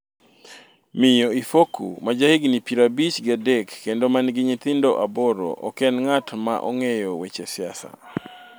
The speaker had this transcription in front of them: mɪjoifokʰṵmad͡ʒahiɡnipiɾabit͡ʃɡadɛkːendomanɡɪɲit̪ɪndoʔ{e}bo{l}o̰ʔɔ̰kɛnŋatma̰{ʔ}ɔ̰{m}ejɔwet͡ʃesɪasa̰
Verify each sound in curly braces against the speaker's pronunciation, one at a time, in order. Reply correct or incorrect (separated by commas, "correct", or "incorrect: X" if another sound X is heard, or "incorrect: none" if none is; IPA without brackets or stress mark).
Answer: incorrect: a, incorrect: ɾ, correct, incorrect: ŋ